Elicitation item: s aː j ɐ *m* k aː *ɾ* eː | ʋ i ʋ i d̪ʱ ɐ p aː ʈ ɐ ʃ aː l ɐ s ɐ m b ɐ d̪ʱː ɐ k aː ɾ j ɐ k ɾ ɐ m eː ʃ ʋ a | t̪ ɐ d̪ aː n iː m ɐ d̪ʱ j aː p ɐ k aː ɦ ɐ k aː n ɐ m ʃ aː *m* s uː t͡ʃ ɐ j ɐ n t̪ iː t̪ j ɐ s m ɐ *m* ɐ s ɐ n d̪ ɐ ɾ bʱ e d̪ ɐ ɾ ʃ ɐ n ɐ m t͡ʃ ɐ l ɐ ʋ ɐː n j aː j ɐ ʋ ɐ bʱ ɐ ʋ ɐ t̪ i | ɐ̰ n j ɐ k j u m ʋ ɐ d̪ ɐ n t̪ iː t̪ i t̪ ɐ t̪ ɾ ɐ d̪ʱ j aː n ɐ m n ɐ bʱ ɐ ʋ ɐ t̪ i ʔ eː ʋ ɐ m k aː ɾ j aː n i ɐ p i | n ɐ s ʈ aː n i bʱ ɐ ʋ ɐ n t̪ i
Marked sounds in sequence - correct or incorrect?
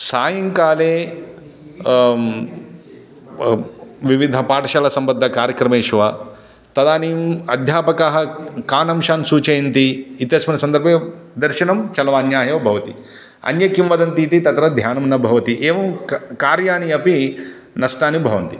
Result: incorrect, incorrect, incorrect, incorrect

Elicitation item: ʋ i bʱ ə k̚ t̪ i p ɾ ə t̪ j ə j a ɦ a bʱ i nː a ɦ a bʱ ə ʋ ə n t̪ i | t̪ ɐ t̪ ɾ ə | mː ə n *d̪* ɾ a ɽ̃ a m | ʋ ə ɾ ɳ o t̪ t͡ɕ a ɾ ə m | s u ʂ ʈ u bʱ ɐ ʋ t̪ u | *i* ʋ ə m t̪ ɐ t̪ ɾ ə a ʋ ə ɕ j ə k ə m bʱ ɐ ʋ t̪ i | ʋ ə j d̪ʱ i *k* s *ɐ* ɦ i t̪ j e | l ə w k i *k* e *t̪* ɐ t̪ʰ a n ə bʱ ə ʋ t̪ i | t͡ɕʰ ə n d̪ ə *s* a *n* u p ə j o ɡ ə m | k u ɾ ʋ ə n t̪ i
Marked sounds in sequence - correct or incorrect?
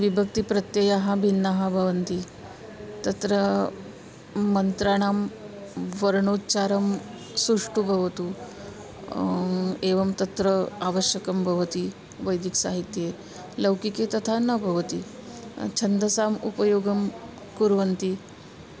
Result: incorrect, incorrect, correct, incorrect, correct, correct, correct, incorrect

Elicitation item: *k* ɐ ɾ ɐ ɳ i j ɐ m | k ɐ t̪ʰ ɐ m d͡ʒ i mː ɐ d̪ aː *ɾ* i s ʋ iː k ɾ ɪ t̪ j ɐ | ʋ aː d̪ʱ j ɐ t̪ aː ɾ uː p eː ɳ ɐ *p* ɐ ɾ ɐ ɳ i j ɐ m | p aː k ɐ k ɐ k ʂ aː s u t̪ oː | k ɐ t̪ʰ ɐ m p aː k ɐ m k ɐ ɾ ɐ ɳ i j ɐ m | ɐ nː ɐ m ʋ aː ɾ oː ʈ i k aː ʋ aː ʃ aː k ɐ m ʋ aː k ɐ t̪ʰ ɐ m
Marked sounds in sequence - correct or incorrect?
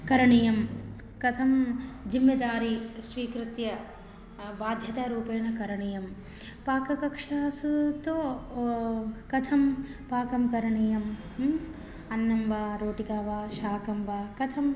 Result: correct, correct, incorrect

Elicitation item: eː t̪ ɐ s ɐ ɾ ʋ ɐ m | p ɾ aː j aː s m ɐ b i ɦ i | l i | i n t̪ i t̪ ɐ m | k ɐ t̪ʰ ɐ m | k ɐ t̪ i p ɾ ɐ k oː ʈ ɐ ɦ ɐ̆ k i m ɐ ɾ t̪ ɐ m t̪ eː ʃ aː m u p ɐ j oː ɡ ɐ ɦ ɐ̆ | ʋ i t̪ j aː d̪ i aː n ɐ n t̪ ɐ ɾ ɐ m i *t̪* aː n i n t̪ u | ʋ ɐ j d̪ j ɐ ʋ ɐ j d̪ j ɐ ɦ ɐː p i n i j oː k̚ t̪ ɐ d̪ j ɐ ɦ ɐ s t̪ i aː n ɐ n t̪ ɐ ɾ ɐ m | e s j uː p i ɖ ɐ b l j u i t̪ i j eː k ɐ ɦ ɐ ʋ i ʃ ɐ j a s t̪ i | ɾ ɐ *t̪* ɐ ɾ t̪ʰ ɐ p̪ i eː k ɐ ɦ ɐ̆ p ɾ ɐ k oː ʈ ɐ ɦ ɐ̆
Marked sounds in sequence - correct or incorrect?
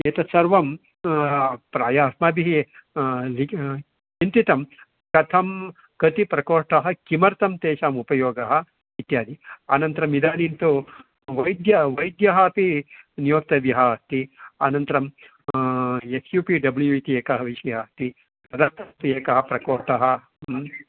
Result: incorrect, incorrect

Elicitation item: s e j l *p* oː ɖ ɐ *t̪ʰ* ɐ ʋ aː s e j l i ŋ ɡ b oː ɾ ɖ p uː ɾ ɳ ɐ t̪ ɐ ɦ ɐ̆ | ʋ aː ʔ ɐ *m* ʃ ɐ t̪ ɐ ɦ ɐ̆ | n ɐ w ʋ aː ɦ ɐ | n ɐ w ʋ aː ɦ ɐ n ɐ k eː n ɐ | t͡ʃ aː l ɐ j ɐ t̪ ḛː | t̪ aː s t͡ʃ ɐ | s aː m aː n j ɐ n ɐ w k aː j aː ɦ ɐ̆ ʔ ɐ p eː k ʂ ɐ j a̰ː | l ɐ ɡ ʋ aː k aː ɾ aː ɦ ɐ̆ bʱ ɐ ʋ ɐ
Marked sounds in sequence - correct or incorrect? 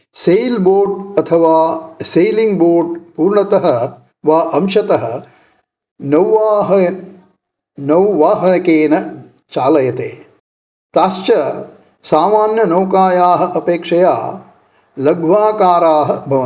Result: incorrect, correct, correct

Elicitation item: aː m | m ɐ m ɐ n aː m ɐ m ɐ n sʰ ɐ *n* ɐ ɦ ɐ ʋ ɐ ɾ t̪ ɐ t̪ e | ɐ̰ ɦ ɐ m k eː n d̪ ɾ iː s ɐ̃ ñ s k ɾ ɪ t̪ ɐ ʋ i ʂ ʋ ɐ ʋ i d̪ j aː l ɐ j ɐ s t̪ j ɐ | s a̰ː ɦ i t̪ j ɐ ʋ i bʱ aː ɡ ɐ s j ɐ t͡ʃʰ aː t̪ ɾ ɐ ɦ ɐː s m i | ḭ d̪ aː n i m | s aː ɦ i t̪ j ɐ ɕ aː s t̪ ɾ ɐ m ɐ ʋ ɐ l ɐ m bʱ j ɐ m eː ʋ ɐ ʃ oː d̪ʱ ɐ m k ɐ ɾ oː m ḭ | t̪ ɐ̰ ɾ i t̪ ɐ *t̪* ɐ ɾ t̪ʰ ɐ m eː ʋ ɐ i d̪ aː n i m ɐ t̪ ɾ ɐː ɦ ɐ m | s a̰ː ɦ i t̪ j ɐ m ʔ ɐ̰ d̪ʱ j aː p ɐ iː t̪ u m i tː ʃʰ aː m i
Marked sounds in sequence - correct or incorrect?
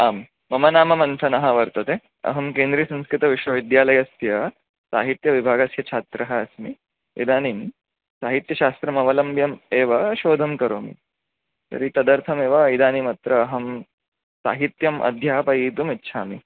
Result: correct, incorrect

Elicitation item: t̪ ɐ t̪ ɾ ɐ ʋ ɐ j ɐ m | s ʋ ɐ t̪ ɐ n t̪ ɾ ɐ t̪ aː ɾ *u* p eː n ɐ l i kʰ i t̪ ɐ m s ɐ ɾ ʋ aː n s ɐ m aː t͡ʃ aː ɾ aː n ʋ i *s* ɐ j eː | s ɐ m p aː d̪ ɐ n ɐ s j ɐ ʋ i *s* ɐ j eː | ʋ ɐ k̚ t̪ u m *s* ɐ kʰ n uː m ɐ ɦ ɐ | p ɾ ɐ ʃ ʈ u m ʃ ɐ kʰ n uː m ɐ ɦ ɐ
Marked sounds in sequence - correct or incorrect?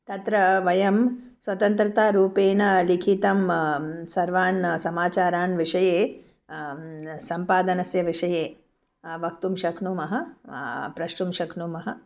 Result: incorrect, incorrect, incorrect, incorrect

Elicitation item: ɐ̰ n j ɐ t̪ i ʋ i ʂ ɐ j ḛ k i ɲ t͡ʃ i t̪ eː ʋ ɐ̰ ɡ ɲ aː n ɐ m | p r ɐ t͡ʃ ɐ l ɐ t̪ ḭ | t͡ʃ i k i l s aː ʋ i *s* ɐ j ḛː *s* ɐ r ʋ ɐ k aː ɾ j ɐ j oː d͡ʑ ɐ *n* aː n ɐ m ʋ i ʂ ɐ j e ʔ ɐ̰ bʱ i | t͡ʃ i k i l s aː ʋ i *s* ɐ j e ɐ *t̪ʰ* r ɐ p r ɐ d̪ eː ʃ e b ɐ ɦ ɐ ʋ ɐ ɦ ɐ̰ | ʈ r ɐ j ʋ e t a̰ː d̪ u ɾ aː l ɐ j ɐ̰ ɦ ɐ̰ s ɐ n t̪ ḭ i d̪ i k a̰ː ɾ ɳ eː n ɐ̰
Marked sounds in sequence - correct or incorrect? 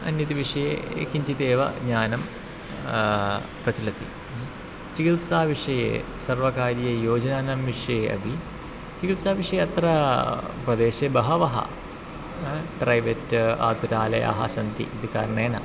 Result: incorrect, correct, correct, incorrect, incorrect

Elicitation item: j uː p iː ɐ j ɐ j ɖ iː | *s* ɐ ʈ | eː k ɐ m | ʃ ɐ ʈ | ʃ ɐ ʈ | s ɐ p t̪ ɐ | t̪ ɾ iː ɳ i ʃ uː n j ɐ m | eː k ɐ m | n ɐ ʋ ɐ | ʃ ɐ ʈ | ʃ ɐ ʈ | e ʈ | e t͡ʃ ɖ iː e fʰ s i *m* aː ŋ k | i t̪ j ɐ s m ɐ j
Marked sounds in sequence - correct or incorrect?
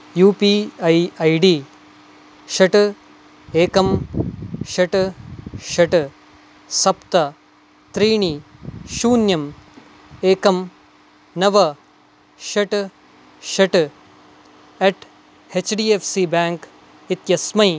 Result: incorrect, incorrect

